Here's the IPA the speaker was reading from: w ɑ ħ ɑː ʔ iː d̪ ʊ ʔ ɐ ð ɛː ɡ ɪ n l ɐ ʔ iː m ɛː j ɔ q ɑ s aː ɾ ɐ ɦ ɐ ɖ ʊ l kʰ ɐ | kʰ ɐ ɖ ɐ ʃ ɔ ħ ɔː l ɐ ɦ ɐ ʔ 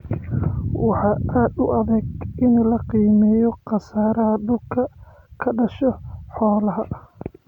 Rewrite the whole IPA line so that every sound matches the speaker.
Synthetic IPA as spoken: w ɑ ħ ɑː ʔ aː d̪ ʊ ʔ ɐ ð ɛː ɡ ɪ n l ɐ q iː m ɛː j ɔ q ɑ s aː ɾ ɐ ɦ ɐ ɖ ʊ l kʰ ɐ | kʰ ɐ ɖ ɐ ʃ ɔ ħ ɔː l ɐ ɦ ɐ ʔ

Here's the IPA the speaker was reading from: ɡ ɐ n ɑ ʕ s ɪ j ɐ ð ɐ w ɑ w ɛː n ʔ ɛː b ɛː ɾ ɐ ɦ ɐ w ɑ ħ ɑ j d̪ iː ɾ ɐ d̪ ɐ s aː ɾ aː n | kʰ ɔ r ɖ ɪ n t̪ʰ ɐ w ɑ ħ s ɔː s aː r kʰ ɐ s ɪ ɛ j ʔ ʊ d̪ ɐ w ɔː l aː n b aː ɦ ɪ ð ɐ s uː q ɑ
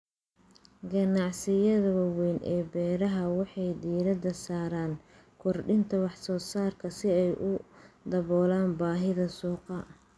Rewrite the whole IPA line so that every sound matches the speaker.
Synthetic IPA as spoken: ɡ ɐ n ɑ ʕ s ɪ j ɐ ð ɐ w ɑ w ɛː n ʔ ɛː b ɛː ɾ ɐ ɦ ɐ w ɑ ħ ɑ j d̪ iː ɾ ɐ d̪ ɐ s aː ɾ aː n | kʰ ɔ r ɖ ɪ n t̪ʰ ɐ w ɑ ħ s ɔː s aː r kʰ ɐ s ɪ ɛ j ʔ ʊ d̪ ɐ β ɔː l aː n b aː ɦ ɪ ð ɐ s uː q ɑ

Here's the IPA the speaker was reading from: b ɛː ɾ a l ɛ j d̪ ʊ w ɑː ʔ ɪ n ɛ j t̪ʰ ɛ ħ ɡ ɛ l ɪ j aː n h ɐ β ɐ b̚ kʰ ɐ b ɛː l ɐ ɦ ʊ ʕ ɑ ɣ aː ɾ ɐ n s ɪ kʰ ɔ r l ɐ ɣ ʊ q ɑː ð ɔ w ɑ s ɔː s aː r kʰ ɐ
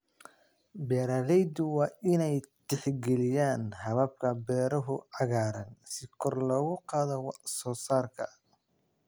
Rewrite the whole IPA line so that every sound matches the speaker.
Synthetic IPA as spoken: b ɛː ɾ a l ɛ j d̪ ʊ w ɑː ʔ ɪ n ɛ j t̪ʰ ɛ ħ ɡ ɛ l ɪ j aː n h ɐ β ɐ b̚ kʰ ɐ b ɛː ɾ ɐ ɦ ʊ ʕ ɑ ɣ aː ɾ ɐ n s ɪ kʰ ɔ r l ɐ ɣ ʊ q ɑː ð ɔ w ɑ s ɔː s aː r kʰ ɐ

